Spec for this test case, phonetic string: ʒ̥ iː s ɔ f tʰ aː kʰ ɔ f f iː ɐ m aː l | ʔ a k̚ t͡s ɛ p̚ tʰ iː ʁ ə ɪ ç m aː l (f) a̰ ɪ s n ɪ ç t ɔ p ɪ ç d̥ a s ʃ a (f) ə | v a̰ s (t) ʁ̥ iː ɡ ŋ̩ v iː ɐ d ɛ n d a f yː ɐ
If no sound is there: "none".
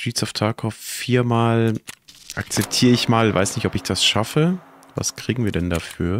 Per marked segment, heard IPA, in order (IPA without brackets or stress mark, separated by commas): v, f, k